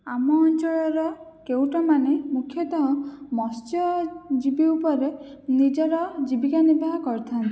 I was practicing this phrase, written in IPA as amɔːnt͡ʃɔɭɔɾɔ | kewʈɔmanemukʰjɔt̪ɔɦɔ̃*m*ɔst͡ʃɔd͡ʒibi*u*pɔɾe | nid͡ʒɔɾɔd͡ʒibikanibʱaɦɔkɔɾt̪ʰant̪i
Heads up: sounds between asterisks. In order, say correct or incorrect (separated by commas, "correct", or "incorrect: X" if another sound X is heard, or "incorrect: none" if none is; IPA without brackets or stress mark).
correct, correct